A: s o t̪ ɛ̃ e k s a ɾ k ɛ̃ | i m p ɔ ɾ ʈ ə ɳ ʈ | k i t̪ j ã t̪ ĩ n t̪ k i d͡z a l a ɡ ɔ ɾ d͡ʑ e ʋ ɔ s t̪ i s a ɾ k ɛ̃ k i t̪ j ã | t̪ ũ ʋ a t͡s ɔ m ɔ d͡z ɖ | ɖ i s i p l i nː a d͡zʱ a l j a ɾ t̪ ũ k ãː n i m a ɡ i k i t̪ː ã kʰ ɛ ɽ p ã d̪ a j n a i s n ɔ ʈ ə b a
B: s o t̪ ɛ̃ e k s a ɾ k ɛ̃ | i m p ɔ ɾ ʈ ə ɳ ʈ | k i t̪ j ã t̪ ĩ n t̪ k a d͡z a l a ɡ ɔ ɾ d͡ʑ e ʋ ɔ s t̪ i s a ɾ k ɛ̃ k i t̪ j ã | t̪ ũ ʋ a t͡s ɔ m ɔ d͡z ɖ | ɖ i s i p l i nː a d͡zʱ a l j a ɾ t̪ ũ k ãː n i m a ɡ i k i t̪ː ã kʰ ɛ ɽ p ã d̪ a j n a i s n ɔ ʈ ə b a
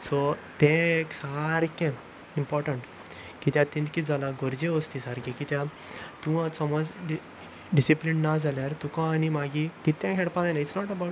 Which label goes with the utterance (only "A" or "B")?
A